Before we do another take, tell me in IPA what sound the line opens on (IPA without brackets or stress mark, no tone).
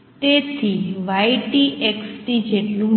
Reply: t̪